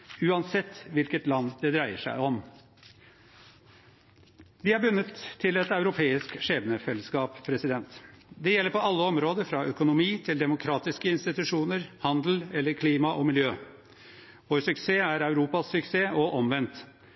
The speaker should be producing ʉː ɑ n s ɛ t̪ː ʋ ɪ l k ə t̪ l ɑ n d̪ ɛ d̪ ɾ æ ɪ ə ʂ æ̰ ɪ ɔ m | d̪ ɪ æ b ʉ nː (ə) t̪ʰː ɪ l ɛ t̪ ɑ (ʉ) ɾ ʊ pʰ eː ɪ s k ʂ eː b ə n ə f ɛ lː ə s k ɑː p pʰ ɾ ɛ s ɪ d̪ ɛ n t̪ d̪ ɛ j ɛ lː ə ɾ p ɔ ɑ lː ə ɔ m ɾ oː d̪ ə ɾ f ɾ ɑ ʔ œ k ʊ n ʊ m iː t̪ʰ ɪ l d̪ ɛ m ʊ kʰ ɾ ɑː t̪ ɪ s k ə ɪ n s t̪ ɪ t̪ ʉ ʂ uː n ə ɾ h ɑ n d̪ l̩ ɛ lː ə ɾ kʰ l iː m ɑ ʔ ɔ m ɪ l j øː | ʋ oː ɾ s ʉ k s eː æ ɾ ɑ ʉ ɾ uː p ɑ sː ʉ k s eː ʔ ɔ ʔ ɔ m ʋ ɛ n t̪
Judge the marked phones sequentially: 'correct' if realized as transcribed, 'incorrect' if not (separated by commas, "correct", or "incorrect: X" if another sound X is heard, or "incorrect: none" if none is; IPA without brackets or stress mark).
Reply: correct, correct